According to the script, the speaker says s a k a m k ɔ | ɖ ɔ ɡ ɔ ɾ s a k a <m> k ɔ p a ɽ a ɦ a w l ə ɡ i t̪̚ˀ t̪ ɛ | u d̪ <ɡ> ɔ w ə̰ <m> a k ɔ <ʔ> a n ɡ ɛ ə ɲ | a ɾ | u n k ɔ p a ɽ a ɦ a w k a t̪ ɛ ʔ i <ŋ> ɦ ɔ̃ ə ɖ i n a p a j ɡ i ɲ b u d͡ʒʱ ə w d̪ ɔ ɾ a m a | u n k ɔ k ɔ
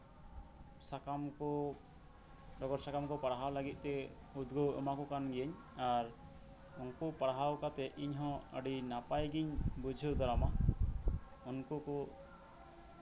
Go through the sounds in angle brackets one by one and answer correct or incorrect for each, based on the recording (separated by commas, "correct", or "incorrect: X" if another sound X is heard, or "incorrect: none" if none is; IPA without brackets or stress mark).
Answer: correct, correct, correct, incorrect: k, incorrect: ɲ